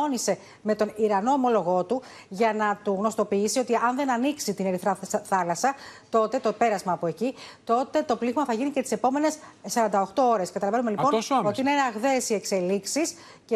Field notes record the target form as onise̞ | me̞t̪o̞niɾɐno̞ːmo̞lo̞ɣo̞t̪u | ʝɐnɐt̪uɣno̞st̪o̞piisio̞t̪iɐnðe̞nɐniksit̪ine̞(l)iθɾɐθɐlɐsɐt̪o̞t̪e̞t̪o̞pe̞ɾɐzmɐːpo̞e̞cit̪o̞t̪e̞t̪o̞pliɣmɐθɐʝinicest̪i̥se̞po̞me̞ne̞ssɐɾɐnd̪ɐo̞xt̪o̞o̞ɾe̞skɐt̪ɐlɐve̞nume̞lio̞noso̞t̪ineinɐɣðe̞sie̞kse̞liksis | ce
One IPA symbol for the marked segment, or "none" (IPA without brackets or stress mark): ɾ